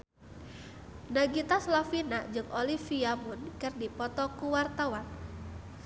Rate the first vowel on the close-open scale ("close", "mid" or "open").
open